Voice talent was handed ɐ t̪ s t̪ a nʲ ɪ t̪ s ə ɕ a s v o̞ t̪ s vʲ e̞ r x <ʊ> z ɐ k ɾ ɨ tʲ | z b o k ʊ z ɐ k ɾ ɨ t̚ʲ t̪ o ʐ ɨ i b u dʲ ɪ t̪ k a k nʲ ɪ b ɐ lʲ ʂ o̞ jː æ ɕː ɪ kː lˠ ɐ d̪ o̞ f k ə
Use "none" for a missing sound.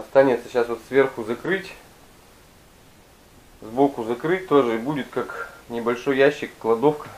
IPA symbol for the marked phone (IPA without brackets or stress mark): ʊ